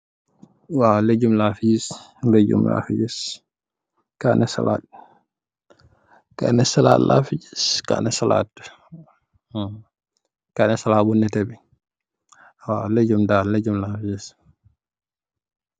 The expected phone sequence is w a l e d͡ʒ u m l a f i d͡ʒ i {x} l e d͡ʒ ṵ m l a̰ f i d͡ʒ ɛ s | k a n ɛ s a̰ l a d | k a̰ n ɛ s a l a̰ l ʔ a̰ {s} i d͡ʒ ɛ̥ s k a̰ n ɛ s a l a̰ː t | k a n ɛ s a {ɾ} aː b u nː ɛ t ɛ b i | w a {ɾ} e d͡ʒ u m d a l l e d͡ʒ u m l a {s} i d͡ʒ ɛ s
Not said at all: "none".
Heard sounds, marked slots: s, f, l, l, f

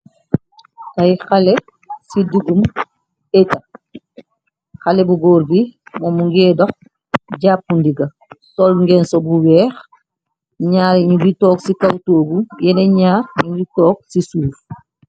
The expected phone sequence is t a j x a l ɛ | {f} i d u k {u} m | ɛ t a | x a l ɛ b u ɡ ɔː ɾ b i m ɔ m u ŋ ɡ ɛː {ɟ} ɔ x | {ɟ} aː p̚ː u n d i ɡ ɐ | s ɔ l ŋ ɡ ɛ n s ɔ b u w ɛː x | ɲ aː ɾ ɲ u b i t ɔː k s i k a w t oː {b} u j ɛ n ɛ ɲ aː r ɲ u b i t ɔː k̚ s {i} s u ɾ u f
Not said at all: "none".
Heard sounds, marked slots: s, u, d, ɟ, ɡ, i

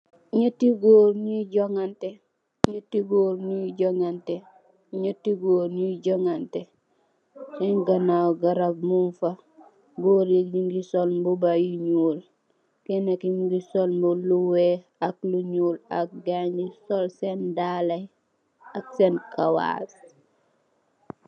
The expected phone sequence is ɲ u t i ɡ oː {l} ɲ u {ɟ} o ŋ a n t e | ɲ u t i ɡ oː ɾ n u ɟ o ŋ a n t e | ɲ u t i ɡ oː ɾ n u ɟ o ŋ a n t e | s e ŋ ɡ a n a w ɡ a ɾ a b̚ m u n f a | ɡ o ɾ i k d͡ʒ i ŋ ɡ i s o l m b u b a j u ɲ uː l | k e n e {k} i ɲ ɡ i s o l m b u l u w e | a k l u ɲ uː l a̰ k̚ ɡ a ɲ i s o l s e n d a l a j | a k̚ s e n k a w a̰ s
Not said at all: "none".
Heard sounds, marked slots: ɾ, ɟ, k

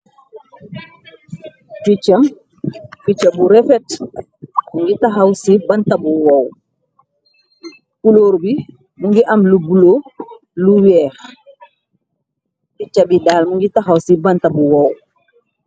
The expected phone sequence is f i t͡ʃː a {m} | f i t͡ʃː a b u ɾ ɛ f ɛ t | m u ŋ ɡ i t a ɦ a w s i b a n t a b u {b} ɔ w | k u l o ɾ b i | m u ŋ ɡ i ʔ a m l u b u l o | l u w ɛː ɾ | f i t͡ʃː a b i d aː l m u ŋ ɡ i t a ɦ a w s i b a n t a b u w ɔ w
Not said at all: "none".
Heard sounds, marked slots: m, w

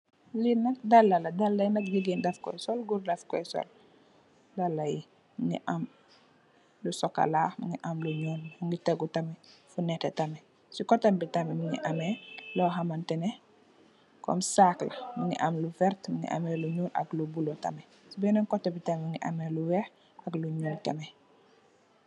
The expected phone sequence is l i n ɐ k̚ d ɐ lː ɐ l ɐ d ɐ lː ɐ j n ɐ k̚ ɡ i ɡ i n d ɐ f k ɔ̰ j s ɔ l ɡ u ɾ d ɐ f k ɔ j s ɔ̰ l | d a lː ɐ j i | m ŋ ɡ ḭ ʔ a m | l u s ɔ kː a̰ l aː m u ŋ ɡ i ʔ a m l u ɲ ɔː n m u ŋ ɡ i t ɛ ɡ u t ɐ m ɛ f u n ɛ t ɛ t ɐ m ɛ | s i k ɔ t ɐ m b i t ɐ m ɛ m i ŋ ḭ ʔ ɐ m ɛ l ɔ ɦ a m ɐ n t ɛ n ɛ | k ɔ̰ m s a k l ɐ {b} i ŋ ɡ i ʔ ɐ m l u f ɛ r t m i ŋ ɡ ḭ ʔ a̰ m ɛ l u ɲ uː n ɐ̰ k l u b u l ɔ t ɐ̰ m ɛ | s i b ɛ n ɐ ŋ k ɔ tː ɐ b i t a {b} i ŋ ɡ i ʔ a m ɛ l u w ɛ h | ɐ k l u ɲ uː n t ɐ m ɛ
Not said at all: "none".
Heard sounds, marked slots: m, m

